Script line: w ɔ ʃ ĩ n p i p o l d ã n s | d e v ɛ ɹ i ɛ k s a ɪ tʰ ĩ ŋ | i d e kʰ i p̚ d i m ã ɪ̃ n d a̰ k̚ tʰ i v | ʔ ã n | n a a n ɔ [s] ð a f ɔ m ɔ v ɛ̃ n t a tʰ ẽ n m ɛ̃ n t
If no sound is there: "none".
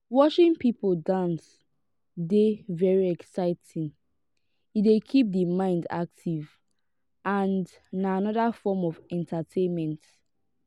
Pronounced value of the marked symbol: none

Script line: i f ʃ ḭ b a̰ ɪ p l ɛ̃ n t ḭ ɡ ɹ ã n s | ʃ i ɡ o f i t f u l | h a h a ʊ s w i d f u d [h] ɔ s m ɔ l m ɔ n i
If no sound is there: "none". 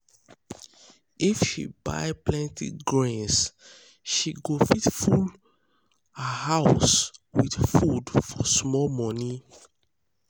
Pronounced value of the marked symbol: f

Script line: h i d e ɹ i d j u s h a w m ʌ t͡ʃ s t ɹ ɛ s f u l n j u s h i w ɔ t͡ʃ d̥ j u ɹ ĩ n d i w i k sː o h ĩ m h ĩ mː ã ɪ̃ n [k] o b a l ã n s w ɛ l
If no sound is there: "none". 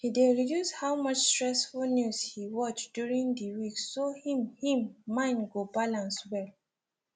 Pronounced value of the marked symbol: ɡ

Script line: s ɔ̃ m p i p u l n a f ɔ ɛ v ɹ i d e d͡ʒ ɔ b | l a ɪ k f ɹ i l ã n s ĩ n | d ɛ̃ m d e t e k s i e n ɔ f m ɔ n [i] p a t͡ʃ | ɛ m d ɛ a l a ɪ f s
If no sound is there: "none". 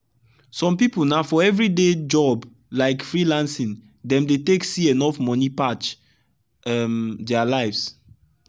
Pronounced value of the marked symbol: i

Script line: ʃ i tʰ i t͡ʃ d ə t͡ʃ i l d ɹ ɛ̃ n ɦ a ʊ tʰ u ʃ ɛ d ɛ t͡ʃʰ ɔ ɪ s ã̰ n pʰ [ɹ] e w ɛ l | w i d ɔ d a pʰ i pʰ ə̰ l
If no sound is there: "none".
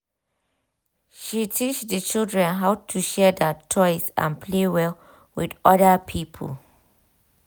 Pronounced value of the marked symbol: l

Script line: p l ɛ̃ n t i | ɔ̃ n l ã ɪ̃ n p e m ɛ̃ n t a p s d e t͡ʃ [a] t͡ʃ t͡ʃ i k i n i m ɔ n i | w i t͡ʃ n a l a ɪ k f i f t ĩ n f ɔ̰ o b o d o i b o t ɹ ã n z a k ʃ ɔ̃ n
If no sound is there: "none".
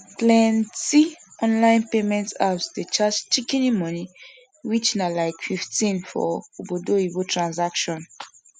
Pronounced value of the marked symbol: a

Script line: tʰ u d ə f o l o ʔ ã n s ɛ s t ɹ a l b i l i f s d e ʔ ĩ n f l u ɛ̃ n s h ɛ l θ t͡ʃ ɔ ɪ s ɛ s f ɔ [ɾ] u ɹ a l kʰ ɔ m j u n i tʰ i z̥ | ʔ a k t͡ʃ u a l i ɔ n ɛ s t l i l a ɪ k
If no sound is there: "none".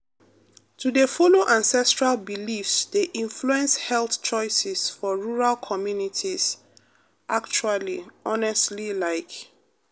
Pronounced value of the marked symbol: ɹ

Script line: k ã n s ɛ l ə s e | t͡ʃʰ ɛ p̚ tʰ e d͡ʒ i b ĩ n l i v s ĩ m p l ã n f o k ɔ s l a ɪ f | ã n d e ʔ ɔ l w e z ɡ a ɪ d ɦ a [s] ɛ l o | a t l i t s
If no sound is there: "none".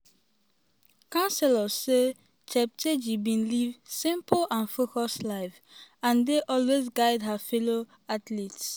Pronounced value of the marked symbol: f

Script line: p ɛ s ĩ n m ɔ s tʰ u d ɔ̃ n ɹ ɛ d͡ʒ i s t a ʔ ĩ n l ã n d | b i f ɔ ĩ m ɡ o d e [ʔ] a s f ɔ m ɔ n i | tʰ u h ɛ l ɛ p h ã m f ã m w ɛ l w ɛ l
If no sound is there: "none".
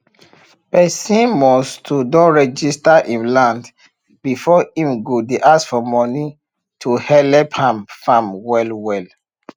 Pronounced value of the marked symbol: ʔ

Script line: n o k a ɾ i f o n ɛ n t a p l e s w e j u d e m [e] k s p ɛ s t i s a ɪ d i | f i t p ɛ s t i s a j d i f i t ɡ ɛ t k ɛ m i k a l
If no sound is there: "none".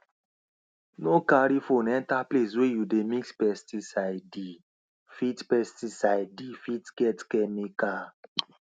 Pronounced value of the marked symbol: i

